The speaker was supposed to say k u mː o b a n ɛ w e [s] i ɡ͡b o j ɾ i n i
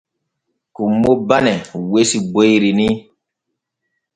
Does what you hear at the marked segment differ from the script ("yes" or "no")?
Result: no